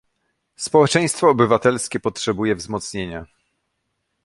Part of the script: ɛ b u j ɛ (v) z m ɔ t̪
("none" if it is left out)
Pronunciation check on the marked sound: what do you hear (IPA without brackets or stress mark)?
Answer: v